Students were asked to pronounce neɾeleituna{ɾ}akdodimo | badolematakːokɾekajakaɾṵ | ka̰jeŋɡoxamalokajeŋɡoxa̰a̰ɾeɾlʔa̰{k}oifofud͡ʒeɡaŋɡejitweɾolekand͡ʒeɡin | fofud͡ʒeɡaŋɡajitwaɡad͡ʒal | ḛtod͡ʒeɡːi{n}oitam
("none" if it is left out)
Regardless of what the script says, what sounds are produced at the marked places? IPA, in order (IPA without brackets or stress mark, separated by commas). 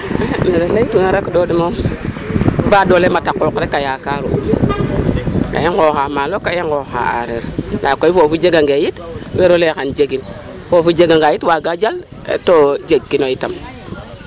ɾ, k, n